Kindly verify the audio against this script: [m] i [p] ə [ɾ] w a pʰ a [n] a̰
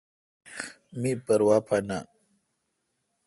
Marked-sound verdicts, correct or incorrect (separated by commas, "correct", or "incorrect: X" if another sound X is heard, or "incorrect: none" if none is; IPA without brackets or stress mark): correct, correct, correct, correct